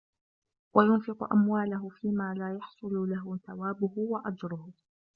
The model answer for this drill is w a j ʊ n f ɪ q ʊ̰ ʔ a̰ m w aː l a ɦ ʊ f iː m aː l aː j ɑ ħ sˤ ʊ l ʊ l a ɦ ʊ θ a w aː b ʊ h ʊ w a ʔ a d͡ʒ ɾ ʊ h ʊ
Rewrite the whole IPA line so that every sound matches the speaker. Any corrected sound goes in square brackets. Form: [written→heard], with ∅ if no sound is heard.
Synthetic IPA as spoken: w a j ʊ n f ɪ q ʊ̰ ʔ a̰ m w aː l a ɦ ʊ f iː m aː l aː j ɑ ħ sˤ ʊ l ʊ l a ɦ ʊ θ a w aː b ʊ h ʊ w a ʔ a d͡ʒ ɾ ʊ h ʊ